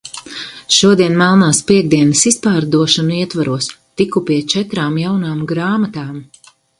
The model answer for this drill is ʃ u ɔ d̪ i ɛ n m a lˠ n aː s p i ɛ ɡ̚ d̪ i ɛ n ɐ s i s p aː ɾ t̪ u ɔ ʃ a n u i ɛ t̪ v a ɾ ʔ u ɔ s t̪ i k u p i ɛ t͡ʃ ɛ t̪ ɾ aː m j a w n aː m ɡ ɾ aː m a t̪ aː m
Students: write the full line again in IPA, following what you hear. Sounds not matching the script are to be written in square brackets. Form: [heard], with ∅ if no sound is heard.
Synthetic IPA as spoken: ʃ u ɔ d̪ i ɛ n m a lˠ n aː s p i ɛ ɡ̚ d̪ i ɛ n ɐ s i s p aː ɾ [d̪] u ɔ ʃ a n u i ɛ t̪ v a ɾ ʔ u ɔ s t̪ i k u p i ɛ t͡ʃ ɛ t̪ ɾ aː m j a w n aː m ɡ ɾ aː m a t̪ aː m